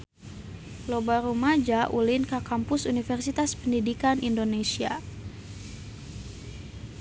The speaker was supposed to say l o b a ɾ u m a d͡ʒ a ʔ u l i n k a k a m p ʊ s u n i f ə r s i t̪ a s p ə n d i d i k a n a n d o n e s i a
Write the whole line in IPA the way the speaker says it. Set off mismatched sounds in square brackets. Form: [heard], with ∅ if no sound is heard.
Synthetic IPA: l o b a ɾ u m a d͡ʒ a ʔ u l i n k a k a m p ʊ s u n i f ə r s i t̪ a s p ə n d i d i k a n [i] n d o n e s i a